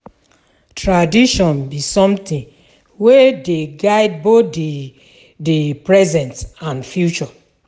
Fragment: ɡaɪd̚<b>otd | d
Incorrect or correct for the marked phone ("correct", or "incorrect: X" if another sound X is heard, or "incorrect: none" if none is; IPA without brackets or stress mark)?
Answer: correct